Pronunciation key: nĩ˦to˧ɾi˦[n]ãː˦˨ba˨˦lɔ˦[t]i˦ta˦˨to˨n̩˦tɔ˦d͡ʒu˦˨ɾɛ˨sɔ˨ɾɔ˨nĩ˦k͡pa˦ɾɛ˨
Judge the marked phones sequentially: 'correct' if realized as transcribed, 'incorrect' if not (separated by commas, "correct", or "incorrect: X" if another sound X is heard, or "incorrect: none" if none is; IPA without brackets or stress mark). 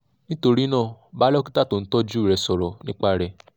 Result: correct, incorrect: k